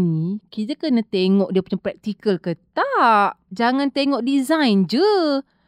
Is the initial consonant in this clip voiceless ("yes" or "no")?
no